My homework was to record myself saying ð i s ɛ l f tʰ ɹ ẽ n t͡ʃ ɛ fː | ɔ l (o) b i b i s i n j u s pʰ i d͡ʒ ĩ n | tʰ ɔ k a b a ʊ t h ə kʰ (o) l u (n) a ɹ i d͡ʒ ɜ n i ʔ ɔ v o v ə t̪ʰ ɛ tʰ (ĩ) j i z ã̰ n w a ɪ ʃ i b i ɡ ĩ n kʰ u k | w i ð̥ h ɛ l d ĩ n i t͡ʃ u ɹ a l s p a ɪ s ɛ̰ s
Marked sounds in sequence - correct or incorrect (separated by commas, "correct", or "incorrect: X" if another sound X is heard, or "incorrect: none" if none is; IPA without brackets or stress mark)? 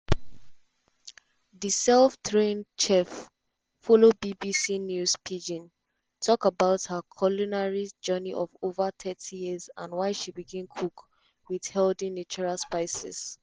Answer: correct, incorrect: ɔ, correct, incorrect: i